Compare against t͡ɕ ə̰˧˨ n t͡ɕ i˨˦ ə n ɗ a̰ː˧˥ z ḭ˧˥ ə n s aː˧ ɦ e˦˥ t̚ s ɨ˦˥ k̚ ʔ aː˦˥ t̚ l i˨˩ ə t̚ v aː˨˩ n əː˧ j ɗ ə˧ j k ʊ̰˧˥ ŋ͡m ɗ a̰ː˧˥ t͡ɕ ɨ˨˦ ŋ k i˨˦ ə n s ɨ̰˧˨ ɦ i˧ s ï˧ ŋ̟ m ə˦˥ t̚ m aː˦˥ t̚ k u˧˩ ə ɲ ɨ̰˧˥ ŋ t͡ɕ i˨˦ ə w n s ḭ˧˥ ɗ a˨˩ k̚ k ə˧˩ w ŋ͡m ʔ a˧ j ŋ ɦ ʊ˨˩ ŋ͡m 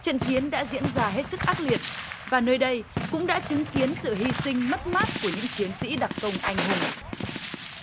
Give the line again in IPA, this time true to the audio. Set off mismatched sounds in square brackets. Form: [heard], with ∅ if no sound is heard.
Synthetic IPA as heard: t͡ɕ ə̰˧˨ n t͡ɕ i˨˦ ə n ɗ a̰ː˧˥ z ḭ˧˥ ə n [z] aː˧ ɦ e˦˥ t̚ s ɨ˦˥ k̚ ʔ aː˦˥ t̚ l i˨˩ ə t̚ v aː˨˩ n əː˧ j ɗ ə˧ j k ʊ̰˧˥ ŋ͡m ɗ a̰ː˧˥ t͡ɕ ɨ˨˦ ŋ k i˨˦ ə n s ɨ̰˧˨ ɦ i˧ s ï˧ ŋ̟ m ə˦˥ t̚ m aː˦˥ t̚ k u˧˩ ə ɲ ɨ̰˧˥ ŋ t͡ɕ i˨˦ ə [∅] n s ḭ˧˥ ɗ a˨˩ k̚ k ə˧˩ w ŋ͡m ʔ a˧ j ŋ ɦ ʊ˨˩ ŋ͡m

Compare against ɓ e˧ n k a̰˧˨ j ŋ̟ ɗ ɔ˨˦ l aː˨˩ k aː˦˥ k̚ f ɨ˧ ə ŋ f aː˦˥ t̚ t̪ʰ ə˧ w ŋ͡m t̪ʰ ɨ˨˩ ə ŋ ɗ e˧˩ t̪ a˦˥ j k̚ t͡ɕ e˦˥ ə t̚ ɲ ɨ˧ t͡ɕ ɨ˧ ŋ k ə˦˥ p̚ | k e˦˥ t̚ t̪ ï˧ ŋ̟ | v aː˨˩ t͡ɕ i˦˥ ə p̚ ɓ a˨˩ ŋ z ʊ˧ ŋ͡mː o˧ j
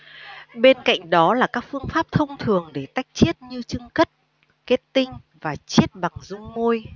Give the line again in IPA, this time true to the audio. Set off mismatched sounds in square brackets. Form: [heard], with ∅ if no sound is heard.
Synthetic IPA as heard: ɓ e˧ n k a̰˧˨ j ŋ̟ ɗ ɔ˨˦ l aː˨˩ k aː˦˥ k̚ f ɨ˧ ə ŋ f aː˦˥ [p̚] t̪ʰ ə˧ w ŋ͡m t̪ʰ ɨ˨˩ ə ŋ ɗ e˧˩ t̪ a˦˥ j k̚ t͡ɕ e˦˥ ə t̚ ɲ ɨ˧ t͡ɕ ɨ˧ ŋ k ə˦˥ [t̚] | k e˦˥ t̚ t̪ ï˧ ŋ̟ | v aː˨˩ t͡ɕ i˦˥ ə [t̚] ɓ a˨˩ ŋ z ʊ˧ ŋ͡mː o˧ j

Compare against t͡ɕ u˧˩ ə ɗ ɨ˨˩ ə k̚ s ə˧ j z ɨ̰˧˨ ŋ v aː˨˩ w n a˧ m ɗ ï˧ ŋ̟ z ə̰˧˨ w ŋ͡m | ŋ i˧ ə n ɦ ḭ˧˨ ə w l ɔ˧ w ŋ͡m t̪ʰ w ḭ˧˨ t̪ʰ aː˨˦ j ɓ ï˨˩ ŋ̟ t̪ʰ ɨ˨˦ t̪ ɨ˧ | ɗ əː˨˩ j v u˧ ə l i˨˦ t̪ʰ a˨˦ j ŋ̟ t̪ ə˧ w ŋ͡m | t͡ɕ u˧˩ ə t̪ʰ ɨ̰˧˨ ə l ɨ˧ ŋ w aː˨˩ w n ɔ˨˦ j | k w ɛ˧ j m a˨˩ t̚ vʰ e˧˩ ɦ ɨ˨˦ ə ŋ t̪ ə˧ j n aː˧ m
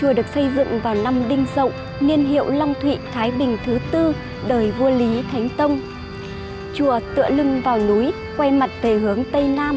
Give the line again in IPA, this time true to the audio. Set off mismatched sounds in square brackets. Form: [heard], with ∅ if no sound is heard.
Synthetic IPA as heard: t͡ɕ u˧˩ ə ɗ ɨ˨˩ ə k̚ s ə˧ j z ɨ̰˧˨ ŋ v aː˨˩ w n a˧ m ɗ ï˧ ŋ̟ z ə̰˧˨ w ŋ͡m | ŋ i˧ ə n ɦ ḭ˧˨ ə w l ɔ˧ w ŋ͡m t̪ʰ w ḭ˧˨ t̪ʰ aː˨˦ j ɓ ï˨˩ ŋ̟ t̪ʰ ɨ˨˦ t̪ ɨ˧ | ɗ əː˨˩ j v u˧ ə l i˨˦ t̪ʰ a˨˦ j ŋ̟ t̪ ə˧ w ŋ͡m | t͡ɕ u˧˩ ə [t̪] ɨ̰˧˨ ə l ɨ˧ ŋ [v] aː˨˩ w n [u˨˦] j | k w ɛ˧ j m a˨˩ t̚ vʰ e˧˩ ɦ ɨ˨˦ ə ŋ t̪ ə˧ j n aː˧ m

